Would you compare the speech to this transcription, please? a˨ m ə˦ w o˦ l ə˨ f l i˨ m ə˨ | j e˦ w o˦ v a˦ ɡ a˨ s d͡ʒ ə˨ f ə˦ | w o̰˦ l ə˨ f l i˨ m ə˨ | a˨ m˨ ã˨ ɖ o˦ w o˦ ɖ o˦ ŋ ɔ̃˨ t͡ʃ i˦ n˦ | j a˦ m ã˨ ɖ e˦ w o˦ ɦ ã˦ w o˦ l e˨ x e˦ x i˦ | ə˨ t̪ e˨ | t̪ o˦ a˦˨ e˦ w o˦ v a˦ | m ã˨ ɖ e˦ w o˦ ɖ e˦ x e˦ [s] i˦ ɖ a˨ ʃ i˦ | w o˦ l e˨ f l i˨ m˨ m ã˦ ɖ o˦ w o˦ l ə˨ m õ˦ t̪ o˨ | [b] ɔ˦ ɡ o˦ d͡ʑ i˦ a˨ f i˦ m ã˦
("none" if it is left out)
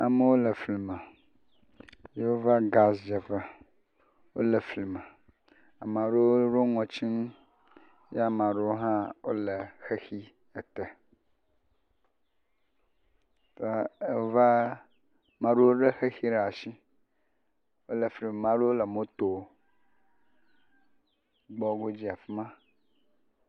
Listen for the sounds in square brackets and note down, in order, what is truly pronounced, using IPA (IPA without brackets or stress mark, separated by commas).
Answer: x, ɡ͡b